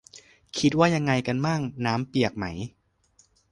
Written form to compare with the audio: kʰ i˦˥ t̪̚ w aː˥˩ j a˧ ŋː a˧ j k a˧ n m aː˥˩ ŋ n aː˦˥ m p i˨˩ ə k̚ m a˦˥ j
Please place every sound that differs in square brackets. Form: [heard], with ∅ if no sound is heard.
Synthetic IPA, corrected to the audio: kʰ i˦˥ t̪̚ w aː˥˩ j a˧ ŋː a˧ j k a˧ n m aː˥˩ ŋ n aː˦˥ m p i˨˩ ə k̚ m a˦˥ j